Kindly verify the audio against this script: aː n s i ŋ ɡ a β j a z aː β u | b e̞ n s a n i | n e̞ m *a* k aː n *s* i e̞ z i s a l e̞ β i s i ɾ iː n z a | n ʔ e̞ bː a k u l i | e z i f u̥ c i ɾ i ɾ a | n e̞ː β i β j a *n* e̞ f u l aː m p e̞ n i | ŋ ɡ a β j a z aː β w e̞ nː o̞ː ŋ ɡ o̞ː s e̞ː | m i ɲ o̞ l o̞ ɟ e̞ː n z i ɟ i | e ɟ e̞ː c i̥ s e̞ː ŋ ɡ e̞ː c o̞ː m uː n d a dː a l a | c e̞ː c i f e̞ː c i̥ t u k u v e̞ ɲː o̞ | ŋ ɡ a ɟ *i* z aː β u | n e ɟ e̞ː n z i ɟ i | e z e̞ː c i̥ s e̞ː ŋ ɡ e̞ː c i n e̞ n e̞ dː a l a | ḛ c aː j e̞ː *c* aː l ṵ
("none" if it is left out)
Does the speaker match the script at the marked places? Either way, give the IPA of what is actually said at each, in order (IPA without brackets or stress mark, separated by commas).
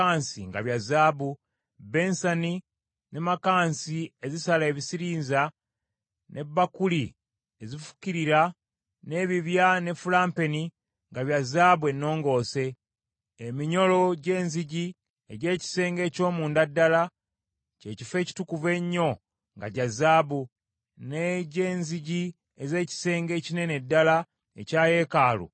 a, s, n, a, k